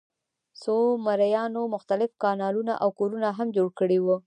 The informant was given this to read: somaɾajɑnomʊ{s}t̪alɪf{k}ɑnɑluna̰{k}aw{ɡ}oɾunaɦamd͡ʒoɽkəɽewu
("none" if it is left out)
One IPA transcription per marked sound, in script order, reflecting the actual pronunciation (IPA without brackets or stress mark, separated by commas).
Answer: x, k, ʔ, k